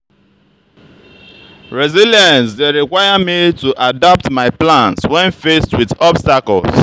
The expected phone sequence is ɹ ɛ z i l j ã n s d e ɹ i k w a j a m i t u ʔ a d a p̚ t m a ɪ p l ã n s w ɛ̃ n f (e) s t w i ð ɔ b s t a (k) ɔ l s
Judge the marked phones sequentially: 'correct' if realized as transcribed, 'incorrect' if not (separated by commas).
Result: correct, correct